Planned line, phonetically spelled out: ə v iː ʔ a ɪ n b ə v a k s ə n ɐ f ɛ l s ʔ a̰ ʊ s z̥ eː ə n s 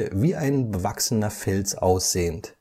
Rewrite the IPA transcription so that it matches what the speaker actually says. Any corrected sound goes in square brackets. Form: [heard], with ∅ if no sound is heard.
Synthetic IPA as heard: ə v iː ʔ a ɪ n b ə v a k s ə n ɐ f ɛ l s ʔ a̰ ʊ s z̥ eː ə n [t]